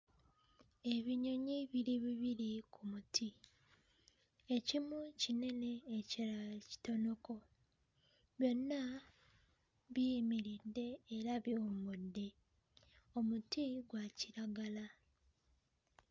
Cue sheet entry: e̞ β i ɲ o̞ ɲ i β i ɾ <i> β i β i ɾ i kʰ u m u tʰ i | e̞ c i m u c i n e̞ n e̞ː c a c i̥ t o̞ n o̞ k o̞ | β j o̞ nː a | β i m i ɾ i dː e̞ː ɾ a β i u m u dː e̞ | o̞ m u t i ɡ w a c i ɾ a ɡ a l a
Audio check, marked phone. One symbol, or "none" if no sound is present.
i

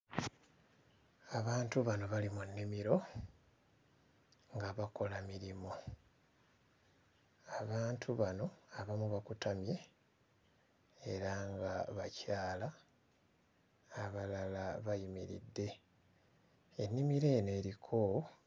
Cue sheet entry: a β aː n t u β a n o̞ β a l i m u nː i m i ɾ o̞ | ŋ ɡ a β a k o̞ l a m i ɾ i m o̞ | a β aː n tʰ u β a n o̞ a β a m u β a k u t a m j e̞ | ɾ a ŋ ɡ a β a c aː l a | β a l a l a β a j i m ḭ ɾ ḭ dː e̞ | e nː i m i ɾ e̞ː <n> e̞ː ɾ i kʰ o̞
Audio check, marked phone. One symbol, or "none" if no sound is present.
n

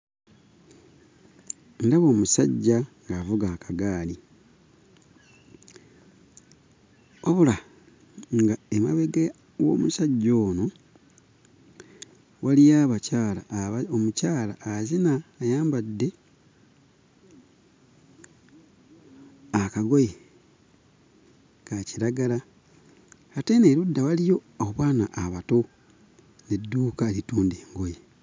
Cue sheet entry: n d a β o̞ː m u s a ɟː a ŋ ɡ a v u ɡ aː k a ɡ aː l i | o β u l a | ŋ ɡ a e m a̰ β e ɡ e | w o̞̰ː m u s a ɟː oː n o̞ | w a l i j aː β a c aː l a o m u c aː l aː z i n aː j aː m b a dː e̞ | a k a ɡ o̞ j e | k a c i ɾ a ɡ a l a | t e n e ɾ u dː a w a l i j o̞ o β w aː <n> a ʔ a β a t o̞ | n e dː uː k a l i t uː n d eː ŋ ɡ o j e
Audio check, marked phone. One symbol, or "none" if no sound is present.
n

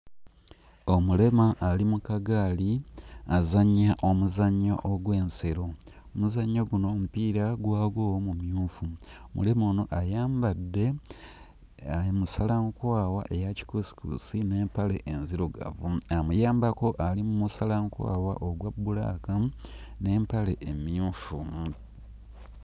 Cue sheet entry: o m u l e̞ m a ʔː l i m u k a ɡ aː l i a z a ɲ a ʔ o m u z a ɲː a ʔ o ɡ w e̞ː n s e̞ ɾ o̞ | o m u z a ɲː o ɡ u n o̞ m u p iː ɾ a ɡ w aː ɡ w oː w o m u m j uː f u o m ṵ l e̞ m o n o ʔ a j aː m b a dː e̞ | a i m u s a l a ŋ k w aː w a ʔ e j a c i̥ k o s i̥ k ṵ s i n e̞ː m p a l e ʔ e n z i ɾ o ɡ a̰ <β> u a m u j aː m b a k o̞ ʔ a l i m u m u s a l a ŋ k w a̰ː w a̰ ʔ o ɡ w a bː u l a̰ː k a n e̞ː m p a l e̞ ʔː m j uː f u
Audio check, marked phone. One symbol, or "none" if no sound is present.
v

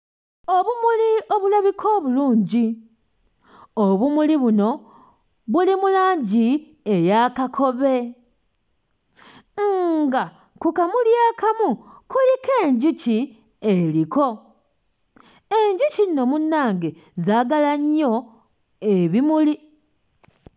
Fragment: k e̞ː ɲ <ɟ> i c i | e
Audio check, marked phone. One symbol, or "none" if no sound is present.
ɟ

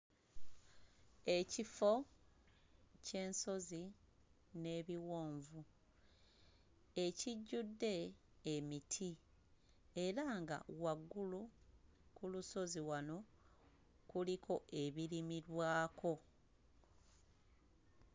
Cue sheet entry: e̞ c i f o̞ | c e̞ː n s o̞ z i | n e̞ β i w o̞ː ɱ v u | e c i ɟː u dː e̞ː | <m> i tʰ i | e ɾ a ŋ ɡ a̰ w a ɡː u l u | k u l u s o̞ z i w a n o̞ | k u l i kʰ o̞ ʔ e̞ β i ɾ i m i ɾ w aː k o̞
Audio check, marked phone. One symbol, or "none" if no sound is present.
m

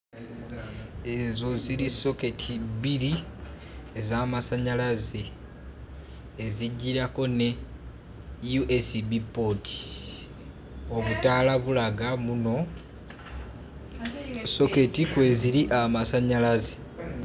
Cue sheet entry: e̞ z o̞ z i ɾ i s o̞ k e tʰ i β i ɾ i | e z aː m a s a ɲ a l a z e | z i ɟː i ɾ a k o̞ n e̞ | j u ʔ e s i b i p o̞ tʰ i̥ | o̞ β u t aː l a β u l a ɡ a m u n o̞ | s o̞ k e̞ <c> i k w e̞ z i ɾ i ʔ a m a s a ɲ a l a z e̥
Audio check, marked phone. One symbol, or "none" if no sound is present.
t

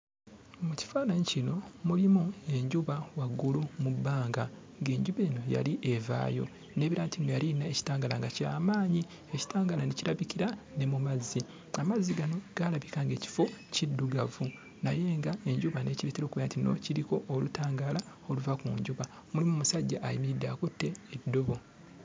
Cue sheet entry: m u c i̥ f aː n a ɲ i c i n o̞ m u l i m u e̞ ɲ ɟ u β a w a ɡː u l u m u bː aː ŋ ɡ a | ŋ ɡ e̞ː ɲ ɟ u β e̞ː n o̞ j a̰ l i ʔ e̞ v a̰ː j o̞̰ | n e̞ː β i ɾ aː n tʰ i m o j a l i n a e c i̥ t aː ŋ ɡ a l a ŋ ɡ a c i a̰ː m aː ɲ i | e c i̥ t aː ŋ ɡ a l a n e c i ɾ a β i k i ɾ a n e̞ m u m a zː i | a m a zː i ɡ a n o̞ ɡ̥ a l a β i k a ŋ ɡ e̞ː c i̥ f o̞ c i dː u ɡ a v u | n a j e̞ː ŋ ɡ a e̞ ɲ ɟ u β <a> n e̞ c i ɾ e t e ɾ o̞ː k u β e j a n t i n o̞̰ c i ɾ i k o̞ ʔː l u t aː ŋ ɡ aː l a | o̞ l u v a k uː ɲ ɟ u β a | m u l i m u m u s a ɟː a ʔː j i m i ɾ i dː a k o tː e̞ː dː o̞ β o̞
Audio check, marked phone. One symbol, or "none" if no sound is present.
a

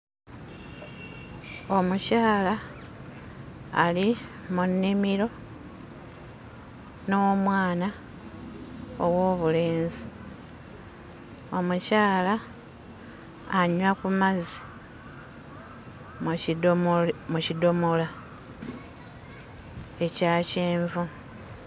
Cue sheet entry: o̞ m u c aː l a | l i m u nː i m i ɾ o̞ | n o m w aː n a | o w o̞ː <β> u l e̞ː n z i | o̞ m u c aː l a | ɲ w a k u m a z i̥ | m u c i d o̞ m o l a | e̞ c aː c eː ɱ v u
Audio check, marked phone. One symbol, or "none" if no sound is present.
β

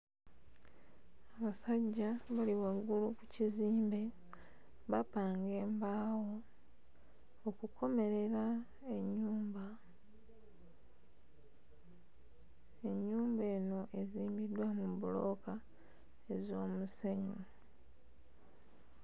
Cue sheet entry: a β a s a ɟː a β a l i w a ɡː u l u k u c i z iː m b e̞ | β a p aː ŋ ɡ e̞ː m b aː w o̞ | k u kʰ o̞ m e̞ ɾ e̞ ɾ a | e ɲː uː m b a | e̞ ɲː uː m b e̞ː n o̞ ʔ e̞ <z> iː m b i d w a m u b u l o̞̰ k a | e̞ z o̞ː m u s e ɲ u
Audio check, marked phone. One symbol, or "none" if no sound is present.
z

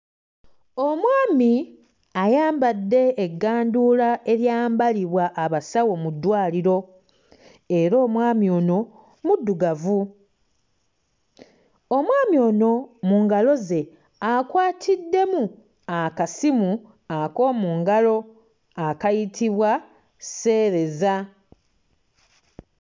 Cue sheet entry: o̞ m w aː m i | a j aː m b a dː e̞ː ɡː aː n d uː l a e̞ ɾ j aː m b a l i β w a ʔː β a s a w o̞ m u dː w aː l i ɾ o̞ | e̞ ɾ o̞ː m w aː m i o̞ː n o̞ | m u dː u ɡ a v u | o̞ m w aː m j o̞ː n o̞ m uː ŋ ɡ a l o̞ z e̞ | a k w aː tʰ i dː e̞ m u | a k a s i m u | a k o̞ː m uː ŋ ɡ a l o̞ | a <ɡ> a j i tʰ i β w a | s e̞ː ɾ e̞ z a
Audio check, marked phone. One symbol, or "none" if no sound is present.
k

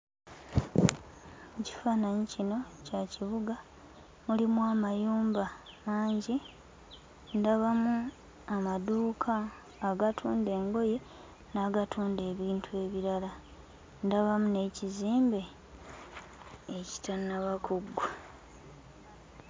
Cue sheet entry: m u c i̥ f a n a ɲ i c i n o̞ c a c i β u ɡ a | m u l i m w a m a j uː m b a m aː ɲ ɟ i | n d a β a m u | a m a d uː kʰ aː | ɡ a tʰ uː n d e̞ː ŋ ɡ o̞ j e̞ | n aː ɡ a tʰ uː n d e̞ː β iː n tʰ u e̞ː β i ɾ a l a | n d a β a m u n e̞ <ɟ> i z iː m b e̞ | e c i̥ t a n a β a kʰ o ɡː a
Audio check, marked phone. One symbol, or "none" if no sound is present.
c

